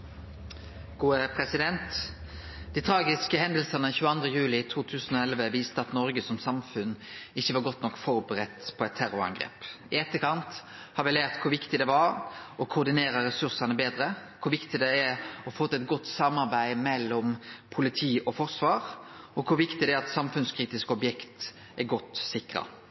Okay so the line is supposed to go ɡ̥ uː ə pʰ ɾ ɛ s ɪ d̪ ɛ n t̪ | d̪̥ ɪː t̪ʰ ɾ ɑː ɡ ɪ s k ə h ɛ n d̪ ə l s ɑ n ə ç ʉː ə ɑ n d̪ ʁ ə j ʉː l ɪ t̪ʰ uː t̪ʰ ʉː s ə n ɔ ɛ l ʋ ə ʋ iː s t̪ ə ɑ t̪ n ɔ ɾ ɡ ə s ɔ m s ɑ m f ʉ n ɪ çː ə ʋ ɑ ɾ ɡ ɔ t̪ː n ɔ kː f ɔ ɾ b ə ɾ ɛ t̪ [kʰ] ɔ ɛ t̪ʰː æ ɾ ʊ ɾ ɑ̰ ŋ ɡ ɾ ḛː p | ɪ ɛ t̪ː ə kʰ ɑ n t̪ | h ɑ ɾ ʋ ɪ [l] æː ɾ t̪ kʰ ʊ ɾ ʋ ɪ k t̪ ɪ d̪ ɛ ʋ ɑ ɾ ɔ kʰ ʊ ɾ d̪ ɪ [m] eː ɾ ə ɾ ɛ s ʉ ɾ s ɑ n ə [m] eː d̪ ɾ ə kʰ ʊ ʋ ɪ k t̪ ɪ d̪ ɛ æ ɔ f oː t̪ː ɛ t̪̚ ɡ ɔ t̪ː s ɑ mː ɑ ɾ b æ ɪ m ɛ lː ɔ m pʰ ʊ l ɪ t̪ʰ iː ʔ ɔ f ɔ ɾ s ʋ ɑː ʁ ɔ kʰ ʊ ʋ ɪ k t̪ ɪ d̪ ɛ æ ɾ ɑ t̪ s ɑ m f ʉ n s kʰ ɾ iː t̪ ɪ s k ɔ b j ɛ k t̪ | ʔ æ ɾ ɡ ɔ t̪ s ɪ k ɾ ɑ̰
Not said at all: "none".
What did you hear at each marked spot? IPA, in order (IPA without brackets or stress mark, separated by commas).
pʰ, l, n, b